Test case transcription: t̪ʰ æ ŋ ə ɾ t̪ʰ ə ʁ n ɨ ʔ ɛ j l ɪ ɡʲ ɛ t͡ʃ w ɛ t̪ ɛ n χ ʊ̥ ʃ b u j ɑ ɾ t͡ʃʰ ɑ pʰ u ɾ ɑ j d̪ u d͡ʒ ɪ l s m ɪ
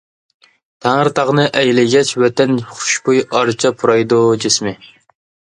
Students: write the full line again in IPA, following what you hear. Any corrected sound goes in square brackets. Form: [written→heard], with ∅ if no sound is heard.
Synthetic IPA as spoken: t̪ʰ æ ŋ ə ɾ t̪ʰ [ə→ɑ] ʁ n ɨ ʔ ɛ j l ɪ ɡʲ ɛ t͡ʃ w ɛ t̪ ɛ n χ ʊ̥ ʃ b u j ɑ ɾ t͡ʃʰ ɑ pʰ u ɾ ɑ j d̪ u d͡ʒ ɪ [l→∅] s m ɪ